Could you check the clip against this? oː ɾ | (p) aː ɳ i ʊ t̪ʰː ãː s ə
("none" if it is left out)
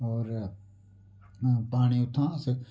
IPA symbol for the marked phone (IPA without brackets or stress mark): p